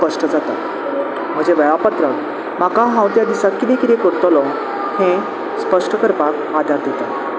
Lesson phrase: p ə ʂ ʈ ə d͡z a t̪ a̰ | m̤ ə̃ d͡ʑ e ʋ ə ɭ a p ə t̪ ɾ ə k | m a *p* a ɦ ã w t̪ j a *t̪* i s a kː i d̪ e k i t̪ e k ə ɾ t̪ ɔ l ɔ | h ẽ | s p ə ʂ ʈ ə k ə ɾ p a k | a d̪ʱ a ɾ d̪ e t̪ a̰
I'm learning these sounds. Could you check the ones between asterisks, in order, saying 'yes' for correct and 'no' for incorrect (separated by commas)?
no, no